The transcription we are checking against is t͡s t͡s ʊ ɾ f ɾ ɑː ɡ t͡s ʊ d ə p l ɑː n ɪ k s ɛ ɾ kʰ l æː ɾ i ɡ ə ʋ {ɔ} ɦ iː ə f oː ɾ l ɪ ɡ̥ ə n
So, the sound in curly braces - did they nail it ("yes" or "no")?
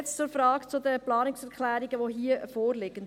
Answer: no